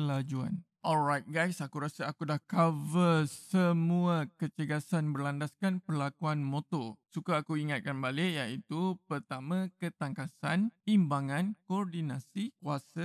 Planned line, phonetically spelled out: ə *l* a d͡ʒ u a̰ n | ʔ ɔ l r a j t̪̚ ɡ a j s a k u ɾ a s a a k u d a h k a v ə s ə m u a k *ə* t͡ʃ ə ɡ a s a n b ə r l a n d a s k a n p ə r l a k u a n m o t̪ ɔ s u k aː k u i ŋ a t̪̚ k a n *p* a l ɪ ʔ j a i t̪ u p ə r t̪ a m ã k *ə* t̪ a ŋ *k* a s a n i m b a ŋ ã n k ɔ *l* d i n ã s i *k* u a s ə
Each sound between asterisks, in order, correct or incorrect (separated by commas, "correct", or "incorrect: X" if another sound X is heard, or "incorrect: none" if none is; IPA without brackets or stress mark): correct, correct, incorrect: b, correct, correct, incorrect: r, correct